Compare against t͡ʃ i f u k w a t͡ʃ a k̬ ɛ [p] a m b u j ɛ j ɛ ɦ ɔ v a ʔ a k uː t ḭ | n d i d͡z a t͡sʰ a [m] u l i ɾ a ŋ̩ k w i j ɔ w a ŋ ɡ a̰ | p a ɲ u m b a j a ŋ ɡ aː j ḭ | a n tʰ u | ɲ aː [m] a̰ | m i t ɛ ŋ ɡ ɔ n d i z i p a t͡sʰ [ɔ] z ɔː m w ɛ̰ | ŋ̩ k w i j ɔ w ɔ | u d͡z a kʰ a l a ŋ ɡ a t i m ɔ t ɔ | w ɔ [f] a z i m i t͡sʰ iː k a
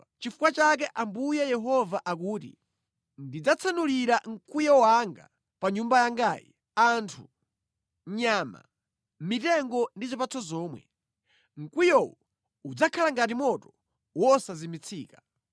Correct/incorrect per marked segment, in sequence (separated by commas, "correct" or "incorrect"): incorrect, incorrect, correct, correct, incorrect